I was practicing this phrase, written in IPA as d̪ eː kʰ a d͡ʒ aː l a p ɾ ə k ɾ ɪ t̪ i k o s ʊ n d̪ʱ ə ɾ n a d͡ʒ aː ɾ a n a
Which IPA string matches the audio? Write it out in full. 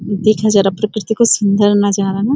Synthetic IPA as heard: d̪ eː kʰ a d͡ʒ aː ɾ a p ɾ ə k ɾ ɪ t̪ i k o s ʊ n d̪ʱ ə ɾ n a d͡ʒ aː ɾ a n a